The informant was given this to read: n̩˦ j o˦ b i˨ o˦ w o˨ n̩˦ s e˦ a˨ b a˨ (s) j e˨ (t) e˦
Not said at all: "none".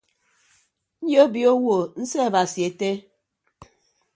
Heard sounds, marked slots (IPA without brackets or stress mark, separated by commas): s, t